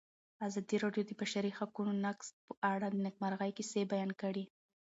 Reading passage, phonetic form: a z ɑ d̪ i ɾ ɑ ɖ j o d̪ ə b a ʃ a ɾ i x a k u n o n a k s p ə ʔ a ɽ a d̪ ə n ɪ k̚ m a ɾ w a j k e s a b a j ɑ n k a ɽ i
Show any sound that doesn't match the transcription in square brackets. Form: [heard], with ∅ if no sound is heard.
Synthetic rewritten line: a z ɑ d̪ i ɾ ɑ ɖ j o d̪ ə b a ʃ a ɾ i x a k u n o n a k s p ə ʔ a ɽ a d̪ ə n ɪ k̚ m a ɾ [ɣ] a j k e s [e] b a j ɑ n k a ɽ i